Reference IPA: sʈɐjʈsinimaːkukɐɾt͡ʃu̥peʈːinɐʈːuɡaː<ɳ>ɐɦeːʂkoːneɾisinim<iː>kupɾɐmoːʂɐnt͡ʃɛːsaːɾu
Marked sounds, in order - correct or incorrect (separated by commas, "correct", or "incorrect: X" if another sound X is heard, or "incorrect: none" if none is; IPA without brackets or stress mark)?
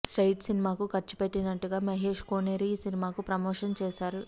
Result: incorrect: m, incorrect: aː